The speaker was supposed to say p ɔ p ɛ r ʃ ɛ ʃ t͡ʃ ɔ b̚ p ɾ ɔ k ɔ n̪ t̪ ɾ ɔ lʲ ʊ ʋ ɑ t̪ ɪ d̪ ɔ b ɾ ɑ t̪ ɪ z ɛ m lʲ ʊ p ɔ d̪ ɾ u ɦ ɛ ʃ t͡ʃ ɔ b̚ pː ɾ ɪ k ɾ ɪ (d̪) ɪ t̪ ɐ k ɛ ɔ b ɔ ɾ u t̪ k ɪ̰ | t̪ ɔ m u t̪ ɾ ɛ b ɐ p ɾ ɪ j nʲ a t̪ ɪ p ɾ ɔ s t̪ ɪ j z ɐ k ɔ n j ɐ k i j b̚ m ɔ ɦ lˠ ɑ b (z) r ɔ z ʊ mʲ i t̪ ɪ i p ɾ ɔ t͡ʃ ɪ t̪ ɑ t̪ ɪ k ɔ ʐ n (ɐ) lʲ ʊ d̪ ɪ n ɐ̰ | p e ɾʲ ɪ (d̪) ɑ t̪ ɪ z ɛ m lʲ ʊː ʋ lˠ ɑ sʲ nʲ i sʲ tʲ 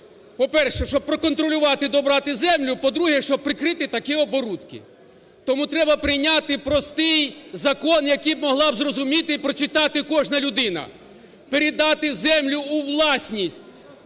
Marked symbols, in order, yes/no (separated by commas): no, yes, yes, yes